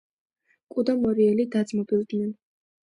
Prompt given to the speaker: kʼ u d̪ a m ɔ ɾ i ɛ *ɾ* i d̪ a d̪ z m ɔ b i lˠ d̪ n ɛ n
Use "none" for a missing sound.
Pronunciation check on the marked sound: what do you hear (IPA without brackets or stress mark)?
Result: l